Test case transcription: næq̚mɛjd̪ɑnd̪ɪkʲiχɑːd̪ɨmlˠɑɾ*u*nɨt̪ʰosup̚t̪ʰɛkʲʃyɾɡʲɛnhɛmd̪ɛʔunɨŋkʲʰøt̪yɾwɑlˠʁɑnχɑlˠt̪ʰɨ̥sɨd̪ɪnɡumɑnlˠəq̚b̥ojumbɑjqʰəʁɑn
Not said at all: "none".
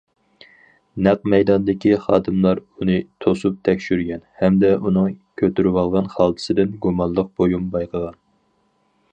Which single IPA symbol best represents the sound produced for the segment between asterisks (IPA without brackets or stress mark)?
u